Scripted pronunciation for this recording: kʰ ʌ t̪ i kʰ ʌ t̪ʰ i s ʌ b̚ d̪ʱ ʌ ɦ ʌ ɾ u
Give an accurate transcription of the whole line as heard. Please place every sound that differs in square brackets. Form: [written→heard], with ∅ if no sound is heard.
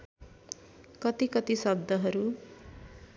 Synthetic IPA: [kʰ→k] ʌ t̪ i [kʰ→k] ʌ [t̪ʰ→t̪] i s ʌ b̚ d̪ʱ ʌ ɦ ʌ ɾ u